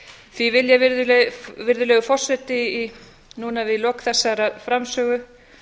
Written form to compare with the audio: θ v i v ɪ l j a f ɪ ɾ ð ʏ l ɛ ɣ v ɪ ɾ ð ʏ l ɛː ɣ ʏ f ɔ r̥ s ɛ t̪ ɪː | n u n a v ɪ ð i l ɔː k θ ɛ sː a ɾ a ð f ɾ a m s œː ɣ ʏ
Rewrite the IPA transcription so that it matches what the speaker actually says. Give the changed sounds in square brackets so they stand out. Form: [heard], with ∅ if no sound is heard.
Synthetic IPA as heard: θ v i v ɪ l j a [v] ɪ ɾ ð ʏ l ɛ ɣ v ɪ ɾ ð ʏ l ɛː ɣ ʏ f ɔ r̥ s ɛ t̪ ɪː | n u n a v ɪ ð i l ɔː k θ ɛ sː a ɾ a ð f ɾ a m s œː ɣ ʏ